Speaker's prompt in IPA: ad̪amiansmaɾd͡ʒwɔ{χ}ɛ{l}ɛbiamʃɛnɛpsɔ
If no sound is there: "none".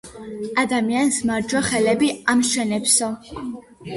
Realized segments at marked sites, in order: χ, l

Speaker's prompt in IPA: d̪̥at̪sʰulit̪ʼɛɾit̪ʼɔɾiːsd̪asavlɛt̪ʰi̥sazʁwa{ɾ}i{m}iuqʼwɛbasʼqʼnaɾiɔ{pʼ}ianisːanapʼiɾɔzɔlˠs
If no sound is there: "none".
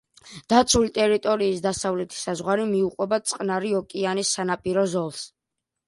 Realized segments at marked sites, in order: ɾ, m, kʼ

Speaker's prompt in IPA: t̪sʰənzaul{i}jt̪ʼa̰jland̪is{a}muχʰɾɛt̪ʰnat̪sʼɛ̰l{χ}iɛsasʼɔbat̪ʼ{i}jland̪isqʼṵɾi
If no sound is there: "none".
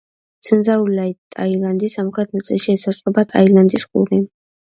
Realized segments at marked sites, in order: a, a, ʃ, a

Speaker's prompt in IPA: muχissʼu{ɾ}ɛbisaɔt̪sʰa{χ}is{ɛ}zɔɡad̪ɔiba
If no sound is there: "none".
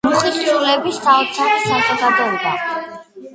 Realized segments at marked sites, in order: l, χ, a

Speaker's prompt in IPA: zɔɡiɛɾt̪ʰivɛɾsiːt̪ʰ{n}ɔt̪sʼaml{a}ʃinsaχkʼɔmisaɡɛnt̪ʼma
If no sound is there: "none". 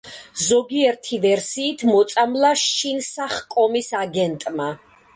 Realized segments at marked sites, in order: m, a

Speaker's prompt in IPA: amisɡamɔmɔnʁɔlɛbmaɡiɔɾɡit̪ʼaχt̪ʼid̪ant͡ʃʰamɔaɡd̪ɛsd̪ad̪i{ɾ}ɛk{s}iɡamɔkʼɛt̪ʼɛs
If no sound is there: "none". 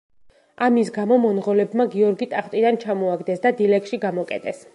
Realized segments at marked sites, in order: l, ʃ

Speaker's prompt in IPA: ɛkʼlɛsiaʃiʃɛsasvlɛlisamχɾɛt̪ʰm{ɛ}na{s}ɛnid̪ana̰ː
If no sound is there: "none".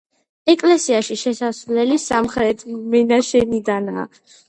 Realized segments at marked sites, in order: ɛ, ʃ

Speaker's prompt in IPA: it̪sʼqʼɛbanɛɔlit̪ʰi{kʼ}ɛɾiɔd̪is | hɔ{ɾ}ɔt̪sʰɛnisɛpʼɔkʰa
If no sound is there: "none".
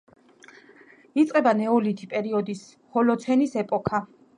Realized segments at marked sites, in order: pʼ, l

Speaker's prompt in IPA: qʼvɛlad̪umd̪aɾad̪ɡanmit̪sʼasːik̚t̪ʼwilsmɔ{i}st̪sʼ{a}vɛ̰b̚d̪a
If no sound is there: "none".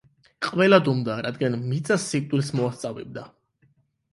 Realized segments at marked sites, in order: a, a

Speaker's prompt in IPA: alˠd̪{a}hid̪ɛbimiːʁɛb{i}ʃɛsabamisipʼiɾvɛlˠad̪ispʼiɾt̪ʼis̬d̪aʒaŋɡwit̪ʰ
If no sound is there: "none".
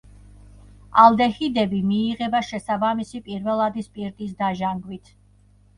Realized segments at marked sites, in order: ɛ, a

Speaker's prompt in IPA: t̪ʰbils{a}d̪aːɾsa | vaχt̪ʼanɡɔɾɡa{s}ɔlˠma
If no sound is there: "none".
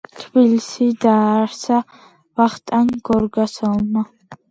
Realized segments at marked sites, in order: i, s

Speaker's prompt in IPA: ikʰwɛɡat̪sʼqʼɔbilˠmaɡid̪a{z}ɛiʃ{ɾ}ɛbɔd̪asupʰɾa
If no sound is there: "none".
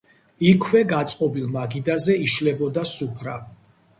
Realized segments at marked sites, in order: z, l

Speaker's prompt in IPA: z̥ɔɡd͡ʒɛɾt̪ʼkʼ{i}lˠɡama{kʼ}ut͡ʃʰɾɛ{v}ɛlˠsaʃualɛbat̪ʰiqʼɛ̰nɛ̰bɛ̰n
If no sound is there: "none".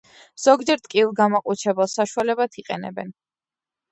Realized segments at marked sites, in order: i, qʼ, b

